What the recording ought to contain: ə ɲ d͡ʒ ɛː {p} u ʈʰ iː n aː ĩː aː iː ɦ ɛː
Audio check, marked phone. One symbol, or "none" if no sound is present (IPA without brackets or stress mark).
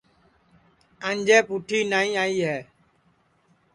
p